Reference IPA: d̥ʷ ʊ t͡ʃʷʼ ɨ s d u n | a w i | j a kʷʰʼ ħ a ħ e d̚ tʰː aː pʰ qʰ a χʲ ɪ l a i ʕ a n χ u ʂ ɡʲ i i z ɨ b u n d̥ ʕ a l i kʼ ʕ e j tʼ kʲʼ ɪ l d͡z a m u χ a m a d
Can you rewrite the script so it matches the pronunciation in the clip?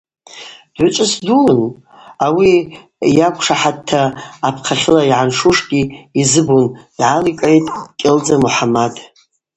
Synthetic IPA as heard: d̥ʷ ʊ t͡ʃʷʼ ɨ s d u n | a w i | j a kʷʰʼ ʂ a ħ a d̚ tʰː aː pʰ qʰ a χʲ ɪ l a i ʕ a n ʂ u ʂ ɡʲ i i z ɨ b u n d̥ ʕ a l i kʼ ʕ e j tʼ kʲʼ ɪ l d͡z a m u ħ a m a d